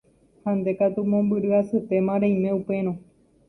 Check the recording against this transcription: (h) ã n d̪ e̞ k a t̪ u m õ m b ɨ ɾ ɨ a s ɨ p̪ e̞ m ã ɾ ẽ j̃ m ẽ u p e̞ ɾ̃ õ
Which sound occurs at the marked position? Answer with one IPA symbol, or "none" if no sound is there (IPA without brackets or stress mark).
h